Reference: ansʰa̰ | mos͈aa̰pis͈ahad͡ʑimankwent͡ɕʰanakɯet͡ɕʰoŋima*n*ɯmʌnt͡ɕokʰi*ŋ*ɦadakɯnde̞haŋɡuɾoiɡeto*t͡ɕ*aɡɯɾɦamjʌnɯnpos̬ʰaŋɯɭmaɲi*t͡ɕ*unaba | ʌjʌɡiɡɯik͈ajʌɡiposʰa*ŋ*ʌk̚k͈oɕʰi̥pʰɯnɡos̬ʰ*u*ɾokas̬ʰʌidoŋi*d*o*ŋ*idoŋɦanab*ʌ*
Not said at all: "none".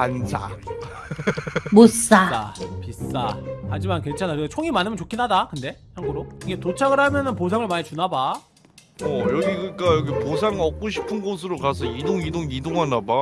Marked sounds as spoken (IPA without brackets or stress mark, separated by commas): n, n, t͡ɕʰ, t͡ɕ, ŋ, ɯ, d, ŋ, a